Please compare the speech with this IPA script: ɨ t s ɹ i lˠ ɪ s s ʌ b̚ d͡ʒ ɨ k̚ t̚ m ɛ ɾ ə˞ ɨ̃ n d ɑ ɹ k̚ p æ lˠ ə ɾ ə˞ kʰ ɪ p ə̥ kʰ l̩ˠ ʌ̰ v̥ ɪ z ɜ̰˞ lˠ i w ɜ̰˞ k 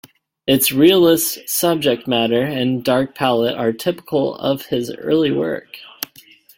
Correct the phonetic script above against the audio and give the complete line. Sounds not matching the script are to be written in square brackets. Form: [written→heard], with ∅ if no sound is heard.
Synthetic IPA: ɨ t s ɹ i lˠ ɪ s s ʌ b̚ d͡ʒ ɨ k̚ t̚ m [ɛ→æ] ɾ ə˞ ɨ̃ n d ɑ ɹ k̚ [p→pʰ] æ lˠ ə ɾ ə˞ [kʰ→tʰ] ɪ p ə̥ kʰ l̩ˠ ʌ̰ v̥ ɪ z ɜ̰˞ lˠ i w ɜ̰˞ k